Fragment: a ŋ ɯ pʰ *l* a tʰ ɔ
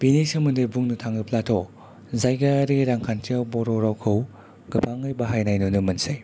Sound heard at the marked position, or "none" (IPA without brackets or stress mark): l